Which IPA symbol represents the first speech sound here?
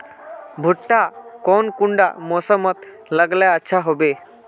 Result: bʱ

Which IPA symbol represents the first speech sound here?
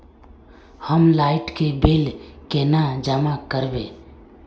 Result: h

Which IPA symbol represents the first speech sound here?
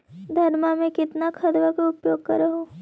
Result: d̪ʱ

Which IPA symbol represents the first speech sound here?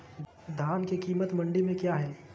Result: d̪ʱ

